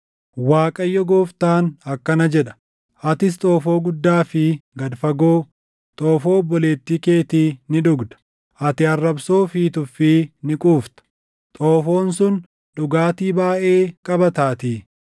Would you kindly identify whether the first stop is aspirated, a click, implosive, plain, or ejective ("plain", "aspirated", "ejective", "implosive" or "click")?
ejective